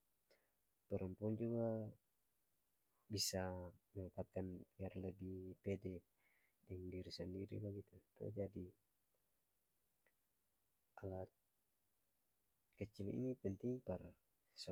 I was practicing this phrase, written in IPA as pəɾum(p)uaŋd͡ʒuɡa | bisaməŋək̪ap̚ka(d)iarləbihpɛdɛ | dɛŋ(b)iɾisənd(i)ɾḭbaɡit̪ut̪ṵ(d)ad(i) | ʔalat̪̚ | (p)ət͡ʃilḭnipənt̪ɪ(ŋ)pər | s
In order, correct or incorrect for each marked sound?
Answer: correct, incorrect, incorrect, correct, incorrect, correct, incorrect, correct

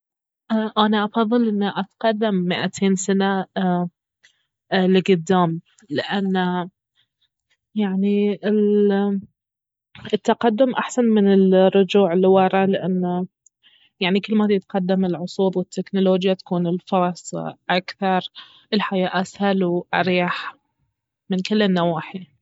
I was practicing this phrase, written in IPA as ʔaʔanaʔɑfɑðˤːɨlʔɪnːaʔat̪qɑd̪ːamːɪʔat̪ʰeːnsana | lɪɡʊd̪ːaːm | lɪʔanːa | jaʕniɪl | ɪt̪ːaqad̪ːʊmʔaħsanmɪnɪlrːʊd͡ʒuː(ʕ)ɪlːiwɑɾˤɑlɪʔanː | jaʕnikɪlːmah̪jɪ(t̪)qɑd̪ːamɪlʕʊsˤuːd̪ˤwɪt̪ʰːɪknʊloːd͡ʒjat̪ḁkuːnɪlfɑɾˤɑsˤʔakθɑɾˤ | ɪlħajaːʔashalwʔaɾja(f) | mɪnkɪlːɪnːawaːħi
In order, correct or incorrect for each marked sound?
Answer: correct, correct, incorrect

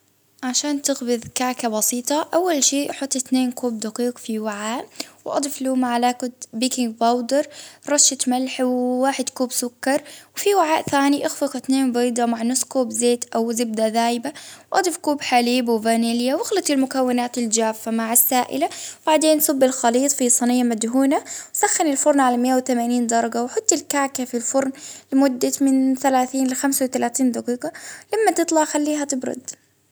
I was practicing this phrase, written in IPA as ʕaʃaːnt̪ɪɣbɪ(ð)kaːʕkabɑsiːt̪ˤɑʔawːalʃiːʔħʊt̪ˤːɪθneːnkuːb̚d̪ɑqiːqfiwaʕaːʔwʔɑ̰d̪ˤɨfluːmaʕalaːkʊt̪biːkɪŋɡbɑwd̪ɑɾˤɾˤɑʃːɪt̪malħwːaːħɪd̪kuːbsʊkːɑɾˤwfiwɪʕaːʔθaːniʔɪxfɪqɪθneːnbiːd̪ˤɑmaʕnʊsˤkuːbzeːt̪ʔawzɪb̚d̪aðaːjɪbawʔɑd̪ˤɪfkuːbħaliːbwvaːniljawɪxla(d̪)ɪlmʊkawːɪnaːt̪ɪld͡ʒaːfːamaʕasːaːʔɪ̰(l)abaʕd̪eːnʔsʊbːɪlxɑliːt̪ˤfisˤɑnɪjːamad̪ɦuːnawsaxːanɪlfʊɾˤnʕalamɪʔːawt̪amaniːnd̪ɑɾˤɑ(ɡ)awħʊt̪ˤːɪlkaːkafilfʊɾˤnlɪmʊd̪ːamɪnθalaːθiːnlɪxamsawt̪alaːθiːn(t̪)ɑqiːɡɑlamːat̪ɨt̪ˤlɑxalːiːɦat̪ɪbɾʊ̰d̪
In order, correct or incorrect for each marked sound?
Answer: correct, incorrect, correct, correct, incorrect

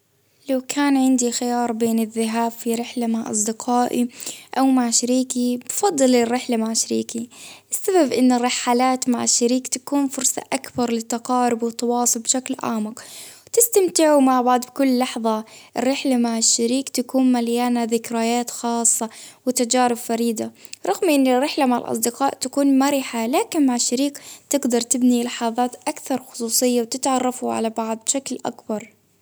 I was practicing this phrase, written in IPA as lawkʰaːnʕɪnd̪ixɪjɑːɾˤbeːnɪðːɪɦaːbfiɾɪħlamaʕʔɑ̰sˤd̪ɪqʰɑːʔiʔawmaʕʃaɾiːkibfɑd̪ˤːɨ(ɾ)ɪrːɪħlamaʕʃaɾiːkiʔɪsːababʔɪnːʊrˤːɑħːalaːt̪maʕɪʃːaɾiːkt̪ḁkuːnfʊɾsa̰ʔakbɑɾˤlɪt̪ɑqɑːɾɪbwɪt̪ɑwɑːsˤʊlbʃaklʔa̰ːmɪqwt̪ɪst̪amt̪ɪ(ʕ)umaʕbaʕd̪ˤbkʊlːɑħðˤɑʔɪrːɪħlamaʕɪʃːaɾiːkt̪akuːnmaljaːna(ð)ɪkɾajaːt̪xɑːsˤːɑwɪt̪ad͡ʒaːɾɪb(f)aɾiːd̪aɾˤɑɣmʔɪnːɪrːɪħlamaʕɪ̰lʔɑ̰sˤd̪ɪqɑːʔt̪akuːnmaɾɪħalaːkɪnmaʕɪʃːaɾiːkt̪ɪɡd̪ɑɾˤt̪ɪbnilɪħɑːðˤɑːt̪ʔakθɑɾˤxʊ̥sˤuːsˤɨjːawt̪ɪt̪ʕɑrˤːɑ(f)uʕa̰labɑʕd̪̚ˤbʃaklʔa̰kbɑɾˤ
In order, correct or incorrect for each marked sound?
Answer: incorrect, correct, correct, correct, correct

